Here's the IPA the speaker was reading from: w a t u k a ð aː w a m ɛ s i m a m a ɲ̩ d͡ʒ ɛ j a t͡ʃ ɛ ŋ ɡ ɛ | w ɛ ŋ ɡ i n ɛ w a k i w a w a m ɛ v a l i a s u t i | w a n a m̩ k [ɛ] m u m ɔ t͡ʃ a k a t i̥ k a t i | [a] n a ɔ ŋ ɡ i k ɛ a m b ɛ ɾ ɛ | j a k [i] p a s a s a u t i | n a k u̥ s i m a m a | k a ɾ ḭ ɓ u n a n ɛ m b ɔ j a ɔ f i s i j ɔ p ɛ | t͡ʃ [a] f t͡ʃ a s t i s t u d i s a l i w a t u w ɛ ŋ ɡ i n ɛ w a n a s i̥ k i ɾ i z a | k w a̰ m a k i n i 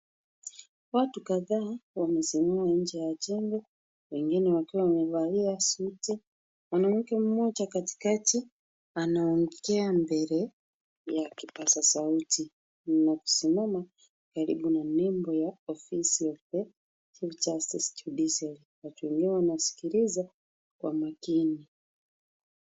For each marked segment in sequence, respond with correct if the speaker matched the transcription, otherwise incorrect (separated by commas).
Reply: correct, correct, correct, incorrect